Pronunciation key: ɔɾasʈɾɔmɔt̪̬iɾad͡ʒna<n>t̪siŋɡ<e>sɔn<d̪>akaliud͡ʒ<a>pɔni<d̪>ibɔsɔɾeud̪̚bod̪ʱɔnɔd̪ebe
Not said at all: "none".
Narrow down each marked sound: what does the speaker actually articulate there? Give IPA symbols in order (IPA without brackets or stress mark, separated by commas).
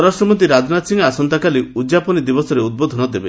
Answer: none, a, t̪, a, d̪